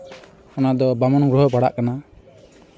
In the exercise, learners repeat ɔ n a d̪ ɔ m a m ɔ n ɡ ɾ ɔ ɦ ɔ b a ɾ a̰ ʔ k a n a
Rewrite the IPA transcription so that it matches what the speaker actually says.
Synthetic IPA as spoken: ɔ n a d̪ ɔ b a m ɔ n ɡ ɾ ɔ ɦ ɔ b a ɽ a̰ ʔ k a n a